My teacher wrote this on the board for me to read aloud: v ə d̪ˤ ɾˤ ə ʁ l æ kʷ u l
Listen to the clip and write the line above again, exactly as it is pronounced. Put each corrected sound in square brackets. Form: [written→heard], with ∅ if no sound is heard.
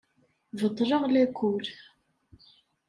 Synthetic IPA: v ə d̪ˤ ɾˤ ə ʁ l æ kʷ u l